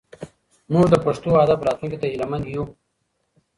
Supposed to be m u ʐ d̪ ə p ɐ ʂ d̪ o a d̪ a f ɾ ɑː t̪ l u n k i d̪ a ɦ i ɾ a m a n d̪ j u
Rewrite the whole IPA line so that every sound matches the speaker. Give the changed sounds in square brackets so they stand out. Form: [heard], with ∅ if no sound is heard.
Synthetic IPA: m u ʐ d̪ ə p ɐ ʂ [t̪] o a d̪ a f ɾ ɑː t̪ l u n k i [t̪] a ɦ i [l] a m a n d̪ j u